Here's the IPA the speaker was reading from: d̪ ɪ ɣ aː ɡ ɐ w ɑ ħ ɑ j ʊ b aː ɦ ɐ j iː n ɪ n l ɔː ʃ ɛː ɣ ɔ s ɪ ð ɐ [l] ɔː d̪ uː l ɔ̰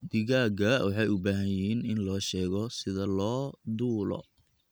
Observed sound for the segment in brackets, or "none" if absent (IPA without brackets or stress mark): l